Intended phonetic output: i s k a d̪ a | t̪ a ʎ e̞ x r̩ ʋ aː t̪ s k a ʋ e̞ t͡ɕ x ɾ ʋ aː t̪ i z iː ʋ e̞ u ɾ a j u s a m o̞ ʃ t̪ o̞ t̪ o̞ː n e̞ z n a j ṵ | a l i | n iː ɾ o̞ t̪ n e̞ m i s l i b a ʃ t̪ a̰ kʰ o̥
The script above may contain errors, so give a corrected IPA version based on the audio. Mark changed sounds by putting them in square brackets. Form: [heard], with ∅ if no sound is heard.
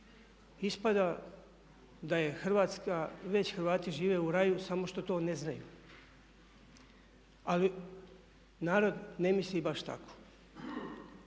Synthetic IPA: i s [p] a d̪ a | [d̪] a [j] e̞ x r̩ ʋ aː t̪ s k a ʋ e̞ t͡ɕ x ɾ ʋ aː t̪ i [ʒ] iː ʋ e̞ u ɾ a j u s a m o̞ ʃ t̪ o̞ t̪ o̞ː n e̞ z n a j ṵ | a l i | n [aː] ɾ o̞ [d̪] n e̞ m i s l i b a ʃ t̪ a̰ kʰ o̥